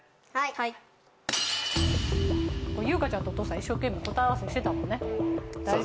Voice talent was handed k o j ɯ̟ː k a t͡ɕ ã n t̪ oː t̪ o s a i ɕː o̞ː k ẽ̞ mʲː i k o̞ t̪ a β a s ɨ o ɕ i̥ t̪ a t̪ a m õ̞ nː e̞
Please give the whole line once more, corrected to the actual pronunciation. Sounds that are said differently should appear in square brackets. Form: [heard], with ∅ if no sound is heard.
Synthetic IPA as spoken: k o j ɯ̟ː k a t͡ɕ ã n t̪ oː t̪ o s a i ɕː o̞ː k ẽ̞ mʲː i k o̞ t̪ a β a s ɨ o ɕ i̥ t̪ [e] t̪ a m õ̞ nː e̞